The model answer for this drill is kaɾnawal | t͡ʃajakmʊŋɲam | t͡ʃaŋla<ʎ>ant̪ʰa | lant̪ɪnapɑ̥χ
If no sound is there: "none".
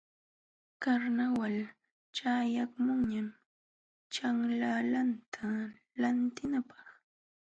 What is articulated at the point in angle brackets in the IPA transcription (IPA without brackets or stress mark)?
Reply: l